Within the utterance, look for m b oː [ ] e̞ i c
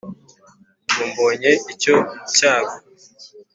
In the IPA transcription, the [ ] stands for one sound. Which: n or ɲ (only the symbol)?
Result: ɲ